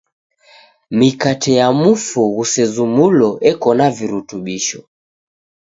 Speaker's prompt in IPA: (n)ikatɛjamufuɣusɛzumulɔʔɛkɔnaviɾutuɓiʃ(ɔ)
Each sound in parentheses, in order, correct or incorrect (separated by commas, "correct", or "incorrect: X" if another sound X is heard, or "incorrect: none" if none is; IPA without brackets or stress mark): incorrect: m, correct